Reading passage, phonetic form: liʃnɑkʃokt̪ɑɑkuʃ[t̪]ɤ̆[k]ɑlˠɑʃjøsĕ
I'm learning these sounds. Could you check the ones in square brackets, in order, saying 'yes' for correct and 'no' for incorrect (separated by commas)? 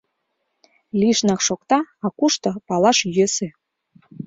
yes, no